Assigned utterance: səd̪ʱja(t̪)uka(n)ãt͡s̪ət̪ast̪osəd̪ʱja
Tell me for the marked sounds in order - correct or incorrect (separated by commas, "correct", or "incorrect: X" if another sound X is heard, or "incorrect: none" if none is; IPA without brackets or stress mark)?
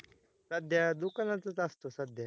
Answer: incorrect: d̪, correct